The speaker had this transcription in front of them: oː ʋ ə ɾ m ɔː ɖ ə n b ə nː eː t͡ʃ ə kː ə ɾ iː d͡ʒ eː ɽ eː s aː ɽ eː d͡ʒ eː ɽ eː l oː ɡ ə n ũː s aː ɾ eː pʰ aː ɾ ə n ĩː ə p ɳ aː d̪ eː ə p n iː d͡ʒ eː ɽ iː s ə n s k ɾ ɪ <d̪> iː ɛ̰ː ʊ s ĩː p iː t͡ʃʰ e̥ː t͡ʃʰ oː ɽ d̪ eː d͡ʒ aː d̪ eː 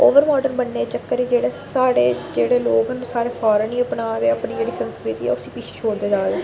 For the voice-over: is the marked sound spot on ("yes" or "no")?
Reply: no